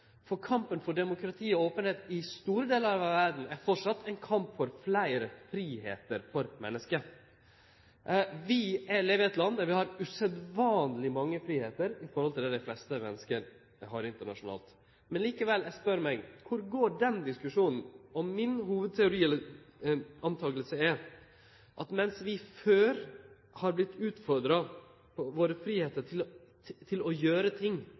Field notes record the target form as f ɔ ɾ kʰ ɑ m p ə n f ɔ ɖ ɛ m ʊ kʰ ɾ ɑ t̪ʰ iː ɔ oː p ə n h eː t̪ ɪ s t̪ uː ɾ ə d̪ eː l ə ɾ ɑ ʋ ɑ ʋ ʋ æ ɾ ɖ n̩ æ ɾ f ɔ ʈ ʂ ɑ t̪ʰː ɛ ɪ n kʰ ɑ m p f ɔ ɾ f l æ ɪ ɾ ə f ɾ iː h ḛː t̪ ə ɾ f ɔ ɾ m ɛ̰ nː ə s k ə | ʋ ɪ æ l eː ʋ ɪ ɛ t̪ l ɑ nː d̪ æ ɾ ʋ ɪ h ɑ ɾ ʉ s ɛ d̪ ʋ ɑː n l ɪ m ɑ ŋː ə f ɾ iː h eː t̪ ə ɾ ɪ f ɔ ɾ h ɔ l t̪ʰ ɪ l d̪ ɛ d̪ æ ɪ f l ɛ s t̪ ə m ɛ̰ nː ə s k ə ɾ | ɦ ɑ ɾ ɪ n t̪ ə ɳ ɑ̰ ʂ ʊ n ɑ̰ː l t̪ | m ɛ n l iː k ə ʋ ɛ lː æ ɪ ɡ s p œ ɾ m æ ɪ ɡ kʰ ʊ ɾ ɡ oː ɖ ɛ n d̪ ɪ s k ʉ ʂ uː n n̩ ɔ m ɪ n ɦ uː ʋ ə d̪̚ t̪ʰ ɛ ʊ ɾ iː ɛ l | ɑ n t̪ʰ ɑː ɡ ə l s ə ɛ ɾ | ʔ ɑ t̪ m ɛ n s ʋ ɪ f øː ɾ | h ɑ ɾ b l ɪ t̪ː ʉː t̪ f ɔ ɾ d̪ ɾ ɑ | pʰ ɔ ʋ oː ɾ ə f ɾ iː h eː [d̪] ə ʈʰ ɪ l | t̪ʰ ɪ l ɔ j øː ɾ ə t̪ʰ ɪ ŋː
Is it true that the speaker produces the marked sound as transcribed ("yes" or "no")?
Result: no